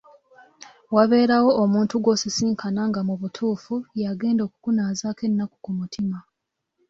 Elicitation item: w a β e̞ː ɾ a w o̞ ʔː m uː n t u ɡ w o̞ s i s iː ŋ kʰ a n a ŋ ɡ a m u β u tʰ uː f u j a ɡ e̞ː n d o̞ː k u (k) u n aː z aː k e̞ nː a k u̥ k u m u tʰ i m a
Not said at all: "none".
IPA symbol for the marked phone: k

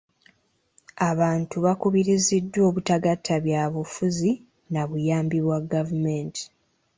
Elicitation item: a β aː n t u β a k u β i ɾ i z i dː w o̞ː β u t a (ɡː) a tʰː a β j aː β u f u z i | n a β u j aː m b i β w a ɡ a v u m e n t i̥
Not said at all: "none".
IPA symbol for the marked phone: ɡ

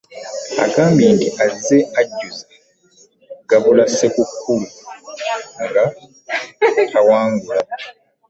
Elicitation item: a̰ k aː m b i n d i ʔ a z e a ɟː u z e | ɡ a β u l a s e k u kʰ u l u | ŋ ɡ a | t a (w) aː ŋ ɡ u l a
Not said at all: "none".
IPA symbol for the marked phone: w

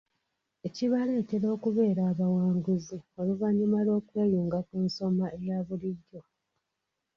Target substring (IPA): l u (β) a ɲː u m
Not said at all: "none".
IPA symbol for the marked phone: v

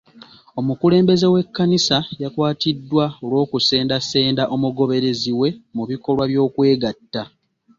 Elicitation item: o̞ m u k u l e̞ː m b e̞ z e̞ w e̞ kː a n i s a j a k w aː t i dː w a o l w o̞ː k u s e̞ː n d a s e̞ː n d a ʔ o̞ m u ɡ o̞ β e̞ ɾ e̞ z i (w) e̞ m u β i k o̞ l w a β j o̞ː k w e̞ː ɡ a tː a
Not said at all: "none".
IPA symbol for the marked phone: w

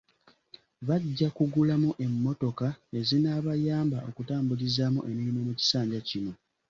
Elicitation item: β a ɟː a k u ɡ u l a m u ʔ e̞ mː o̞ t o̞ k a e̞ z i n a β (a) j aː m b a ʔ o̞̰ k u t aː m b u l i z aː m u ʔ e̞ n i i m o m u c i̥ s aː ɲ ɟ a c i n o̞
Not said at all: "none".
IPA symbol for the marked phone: a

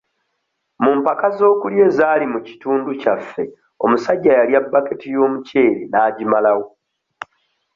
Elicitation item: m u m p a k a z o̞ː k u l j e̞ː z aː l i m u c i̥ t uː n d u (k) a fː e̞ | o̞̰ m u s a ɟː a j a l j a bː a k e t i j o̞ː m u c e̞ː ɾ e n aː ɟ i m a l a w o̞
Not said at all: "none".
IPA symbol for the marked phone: c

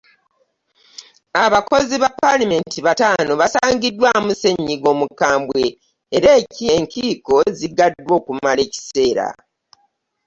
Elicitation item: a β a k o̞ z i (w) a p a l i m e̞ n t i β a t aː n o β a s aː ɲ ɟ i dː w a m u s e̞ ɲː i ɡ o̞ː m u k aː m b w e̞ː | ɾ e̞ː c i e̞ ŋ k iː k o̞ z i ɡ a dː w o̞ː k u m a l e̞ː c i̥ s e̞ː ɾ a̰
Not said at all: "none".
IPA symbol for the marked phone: β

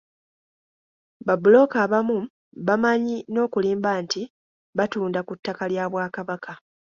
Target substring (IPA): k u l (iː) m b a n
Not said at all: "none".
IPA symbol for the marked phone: iː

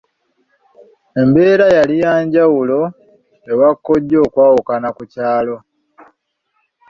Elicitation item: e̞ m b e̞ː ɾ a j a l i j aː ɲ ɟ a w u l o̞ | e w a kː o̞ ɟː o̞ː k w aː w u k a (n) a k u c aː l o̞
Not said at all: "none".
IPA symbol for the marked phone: n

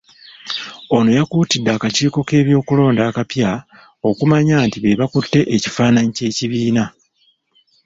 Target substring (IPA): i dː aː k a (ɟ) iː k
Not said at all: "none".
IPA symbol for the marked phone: c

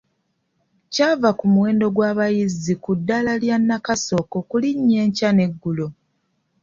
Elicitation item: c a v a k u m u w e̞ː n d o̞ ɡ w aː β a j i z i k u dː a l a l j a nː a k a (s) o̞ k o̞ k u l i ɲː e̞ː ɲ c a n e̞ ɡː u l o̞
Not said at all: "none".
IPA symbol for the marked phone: s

